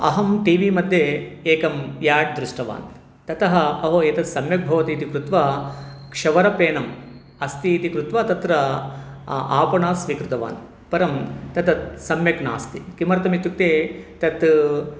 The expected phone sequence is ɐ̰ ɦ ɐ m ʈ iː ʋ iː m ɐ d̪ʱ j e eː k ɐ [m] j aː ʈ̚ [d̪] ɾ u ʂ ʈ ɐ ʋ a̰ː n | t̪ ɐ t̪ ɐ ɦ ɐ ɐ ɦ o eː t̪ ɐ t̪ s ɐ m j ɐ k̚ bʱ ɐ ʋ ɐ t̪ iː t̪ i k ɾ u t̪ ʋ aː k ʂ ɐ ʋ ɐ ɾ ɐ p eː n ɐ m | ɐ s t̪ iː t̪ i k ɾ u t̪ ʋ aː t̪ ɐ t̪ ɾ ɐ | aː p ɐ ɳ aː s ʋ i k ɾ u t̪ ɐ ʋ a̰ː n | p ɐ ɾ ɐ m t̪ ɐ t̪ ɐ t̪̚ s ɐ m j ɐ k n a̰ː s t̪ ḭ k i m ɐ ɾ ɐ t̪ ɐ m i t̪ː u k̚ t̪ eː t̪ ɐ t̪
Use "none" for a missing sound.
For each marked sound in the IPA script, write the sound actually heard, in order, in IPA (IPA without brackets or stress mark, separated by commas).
m, d̪